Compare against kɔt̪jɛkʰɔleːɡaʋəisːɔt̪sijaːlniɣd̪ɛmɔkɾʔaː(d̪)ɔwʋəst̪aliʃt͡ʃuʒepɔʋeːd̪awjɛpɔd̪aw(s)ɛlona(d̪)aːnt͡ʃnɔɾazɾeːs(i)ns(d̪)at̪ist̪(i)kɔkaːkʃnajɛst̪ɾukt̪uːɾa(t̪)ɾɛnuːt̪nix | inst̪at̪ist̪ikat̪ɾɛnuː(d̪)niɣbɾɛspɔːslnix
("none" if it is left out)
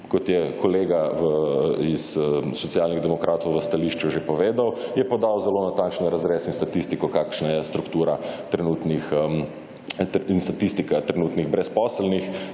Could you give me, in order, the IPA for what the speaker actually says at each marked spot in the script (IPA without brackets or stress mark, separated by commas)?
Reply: t̪, z, t̪, i, t̪, i, t̪, t̪